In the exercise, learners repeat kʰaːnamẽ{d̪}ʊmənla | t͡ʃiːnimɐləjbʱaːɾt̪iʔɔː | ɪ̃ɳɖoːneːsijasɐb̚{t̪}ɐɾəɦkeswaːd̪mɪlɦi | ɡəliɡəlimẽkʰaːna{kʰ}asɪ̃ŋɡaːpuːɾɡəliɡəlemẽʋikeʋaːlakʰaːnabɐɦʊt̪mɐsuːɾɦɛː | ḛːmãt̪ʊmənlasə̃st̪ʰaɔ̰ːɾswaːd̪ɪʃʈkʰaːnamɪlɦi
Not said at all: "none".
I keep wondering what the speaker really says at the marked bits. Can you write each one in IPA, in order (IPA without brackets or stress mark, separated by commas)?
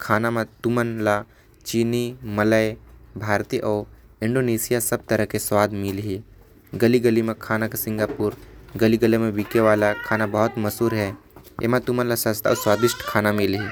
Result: t̪, t̪, k